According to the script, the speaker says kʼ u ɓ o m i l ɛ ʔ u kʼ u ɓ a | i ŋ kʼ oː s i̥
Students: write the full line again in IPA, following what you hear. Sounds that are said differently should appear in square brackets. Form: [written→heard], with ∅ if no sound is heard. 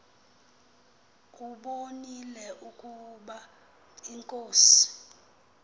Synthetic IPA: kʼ u ɓ o [m→n] i l ɛ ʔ u kʼ u ɓ a | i ŋ kʼ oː s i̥